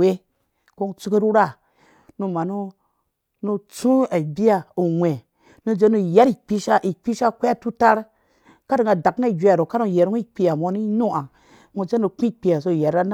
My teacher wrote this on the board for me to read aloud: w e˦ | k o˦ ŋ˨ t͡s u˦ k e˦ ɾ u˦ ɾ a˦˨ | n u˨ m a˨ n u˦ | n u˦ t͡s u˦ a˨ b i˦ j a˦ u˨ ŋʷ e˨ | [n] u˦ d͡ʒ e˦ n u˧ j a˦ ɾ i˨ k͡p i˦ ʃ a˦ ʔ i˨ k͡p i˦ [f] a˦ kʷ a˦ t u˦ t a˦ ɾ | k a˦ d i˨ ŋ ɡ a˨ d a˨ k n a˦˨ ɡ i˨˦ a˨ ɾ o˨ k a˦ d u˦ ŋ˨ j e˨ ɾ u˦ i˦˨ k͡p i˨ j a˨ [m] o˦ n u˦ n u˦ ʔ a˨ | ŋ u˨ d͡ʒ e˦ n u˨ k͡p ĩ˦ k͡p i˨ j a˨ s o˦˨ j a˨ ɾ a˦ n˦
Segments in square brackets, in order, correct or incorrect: correct, incorrect: ʃ, correct

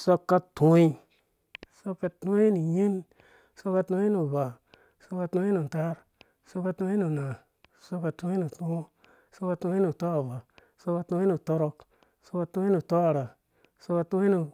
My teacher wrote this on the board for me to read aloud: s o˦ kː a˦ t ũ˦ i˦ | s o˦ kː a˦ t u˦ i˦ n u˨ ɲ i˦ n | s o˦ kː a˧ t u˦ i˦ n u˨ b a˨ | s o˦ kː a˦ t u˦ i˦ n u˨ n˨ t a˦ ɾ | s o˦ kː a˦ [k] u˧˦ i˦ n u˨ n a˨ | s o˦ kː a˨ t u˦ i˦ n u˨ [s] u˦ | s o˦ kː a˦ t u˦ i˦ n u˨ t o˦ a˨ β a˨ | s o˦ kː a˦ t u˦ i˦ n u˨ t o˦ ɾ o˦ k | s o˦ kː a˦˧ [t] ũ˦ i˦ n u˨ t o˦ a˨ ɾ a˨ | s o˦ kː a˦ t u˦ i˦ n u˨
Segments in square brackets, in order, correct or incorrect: incorrect: t, incorrect: t, correct

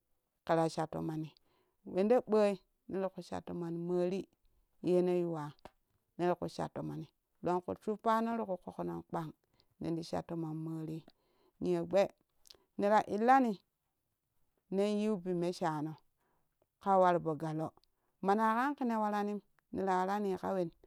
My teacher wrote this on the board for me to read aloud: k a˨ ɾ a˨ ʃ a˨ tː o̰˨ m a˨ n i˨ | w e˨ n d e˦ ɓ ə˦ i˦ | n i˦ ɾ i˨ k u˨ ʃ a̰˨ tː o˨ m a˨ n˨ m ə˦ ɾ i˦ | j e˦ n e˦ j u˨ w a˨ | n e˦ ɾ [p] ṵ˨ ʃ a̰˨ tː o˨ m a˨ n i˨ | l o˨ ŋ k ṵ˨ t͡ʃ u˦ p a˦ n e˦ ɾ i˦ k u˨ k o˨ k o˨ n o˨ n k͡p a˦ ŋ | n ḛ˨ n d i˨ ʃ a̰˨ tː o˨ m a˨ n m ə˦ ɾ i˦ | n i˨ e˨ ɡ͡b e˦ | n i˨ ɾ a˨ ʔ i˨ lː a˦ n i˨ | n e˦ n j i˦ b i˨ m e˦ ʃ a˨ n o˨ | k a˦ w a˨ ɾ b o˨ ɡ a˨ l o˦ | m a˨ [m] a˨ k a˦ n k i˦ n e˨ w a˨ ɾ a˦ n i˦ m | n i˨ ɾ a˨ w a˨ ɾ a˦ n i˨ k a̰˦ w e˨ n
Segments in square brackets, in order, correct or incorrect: incorrect: k, incorrect: n

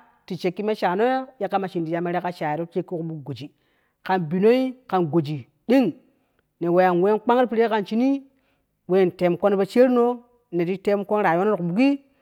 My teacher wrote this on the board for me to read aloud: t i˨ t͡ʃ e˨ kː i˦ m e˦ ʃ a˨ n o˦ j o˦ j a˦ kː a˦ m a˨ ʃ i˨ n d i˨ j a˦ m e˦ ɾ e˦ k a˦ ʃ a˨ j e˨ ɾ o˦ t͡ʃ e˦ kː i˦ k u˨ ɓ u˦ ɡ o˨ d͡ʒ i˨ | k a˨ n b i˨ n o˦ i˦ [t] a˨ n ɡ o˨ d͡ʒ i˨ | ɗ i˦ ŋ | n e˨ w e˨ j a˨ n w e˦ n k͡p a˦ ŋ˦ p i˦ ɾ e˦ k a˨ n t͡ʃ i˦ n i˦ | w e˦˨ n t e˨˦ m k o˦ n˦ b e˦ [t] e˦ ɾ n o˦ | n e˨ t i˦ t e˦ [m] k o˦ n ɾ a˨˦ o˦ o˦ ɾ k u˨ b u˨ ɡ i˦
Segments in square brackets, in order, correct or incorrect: incorrect: k, incorrect: t͡ʃ, correct

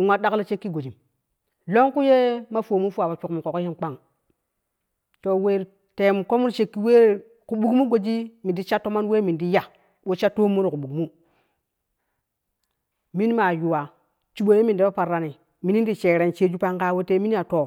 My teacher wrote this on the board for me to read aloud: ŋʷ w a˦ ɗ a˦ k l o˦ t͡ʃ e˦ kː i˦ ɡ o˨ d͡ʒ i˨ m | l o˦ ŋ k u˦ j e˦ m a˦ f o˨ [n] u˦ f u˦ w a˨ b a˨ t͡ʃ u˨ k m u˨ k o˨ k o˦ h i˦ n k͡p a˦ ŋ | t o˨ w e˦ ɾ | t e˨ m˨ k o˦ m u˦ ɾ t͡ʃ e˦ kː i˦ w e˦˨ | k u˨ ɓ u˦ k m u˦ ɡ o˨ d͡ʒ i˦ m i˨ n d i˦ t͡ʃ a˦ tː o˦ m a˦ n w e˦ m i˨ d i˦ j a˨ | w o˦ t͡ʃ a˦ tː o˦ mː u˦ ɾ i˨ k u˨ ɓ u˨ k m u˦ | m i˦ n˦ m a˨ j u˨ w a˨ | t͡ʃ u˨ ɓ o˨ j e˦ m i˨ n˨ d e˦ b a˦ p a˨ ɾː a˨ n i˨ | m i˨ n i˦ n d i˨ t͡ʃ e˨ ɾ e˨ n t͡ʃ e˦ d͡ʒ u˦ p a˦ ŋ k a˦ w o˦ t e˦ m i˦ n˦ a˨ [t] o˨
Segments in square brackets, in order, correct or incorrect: incorrect: m, correct

